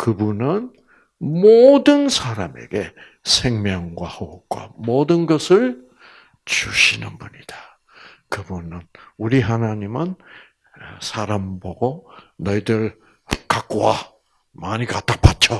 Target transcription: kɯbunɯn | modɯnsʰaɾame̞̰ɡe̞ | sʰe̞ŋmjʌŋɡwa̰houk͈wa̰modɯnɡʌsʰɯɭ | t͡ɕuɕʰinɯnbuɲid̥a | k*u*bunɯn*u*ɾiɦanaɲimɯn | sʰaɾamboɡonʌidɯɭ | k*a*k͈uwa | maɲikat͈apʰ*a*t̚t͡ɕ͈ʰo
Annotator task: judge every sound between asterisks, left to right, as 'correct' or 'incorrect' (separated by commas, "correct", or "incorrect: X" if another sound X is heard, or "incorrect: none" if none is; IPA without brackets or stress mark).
incorrect: ɯ, correct, correct, correct